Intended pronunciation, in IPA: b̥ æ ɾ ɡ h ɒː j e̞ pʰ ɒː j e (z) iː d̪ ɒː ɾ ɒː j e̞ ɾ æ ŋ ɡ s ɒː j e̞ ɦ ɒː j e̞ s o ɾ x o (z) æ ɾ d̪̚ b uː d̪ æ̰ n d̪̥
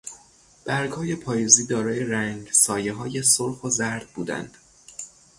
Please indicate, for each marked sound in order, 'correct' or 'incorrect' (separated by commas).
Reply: correct, correct